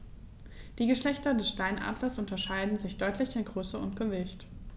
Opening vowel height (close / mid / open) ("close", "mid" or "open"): close